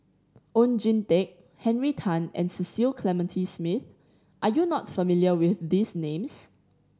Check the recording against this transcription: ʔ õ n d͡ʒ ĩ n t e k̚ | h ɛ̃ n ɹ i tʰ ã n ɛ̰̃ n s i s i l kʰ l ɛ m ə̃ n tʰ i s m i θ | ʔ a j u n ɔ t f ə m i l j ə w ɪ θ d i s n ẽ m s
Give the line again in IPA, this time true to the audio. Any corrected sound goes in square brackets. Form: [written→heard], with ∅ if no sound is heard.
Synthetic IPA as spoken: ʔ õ n d͡ʒ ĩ n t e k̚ | h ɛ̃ n ɹ i tʰ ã n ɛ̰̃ n s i s i l kʰ l ɛ m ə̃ n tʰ i s m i θ | ʔ a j u n ɔ t f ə m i l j ə w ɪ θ d i s n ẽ m s